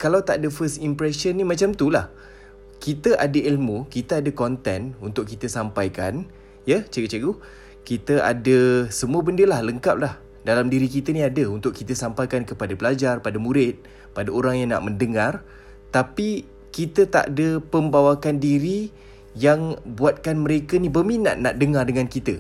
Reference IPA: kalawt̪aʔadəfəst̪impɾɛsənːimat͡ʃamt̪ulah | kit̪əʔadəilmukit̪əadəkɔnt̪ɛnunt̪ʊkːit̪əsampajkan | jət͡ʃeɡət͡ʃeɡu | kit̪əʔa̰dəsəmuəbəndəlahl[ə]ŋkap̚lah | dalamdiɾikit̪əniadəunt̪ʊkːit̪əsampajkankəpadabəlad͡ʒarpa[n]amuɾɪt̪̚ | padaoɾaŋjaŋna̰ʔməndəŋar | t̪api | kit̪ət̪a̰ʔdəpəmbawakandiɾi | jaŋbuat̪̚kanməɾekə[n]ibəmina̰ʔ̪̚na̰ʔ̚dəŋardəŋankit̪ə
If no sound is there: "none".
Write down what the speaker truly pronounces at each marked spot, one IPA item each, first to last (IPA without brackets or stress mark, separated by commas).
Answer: ə, d, n